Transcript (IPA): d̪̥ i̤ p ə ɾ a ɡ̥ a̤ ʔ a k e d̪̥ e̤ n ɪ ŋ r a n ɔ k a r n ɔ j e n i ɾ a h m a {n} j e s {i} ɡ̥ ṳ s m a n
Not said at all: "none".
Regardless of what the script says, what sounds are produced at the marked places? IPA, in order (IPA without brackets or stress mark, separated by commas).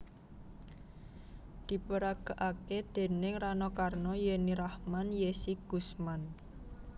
n, i